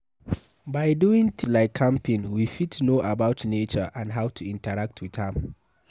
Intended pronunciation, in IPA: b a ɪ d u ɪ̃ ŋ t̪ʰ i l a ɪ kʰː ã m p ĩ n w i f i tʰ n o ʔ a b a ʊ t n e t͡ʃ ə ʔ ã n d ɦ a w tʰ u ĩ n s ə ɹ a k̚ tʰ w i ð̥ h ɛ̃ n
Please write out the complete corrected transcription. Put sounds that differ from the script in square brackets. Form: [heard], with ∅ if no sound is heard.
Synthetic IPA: b a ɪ d u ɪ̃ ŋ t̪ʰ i l a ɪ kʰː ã m p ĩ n w i f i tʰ n o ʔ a b a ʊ t n e t͡ʃ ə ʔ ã n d ɦ a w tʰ u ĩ n [t] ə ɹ a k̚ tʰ w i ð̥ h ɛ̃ [m]